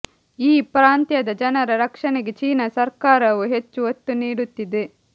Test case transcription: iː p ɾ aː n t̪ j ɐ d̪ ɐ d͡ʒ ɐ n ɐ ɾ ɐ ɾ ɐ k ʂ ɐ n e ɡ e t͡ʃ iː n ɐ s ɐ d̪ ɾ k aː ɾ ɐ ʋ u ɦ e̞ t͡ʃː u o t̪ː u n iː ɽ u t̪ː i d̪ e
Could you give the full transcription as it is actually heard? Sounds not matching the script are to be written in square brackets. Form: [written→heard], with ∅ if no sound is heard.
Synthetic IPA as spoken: iː p ɾ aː n t̪ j ɐ d̪ ɐ d͡ʒ ɐ n ɐ ɾ ɐ ɾ ɐ k ʂ ɐ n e ɡ e t͡ʃ iː n ɐ s ɐ [d̪→∅] ɾ k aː ɾ ɐ ʋ u ɦ e̞ t͡ʃː u o t̪ː u n iː ɽ u t̪ː i d̪ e